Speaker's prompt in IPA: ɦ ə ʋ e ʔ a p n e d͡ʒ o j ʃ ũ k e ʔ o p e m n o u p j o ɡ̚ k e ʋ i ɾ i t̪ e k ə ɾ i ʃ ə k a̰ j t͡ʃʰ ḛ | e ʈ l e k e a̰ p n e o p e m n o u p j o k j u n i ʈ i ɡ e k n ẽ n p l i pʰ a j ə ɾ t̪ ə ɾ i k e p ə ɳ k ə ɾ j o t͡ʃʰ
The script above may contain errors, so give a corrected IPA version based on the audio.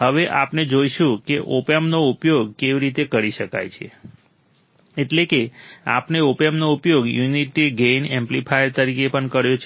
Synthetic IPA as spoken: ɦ ə ʋ e ʔ a p n e d͡ʒ o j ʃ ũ k e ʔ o p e m n o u p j o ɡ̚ k e ʋ i ɾ i t̪ e k ə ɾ i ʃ ə k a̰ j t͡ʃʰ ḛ | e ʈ l e k e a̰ p n e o p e m n o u p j o ɡ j u n i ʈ i ɡ e n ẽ m p l i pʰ a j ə ɾ t̪ ə ɾ i k e p ə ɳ k ə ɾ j o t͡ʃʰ